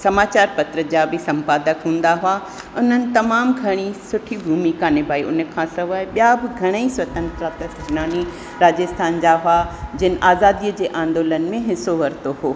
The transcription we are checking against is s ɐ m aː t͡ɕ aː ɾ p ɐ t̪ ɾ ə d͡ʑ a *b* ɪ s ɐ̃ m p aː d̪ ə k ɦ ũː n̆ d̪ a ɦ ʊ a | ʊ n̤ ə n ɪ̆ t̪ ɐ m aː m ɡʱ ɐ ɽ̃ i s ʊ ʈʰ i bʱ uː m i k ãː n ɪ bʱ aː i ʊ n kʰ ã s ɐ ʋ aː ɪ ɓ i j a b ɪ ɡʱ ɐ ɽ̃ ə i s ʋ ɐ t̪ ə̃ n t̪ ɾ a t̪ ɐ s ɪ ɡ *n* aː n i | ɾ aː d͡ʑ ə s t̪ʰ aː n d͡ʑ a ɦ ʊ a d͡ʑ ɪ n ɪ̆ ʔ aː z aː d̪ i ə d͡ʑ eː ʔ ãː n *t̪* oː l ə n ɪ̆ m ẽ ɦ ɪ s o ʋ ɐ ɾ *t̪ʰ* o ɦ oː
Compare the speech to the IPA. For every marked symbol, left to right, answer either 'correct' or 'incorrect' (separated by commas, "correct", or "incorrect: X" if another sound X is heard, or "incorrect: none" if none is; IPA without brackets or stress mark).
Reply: correct, correct, incorrect: d̪, incorrect: t̪